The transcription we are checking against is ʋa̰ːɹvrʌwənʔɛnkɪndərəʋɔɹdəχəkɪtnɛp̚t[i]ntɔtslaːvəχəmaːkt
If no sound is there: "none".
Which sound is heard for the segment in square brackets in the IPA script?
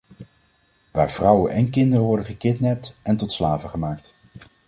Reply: ɛ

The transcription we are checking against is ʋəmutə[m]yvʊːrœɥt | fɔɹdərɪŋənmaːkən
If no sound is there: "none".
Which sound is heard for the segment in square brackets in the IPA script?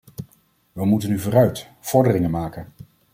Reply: n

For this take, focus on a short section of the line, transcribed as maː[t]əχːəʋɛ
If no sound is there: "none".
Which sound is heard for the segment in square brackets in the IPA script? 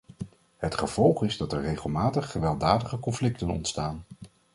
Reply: t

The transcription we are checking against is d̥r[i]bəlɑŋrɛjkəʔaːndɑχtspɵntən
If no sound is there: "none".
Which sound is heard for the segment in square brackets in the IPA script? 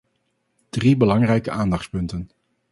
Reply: i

